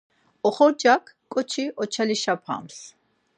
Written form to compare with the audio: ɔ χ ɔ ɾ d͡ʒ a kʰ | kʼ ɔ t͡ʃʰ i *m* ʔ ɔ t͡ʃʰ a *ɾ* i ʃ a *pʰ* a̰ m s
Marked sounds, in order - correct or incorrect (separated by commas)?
incorrect, incorrect, correct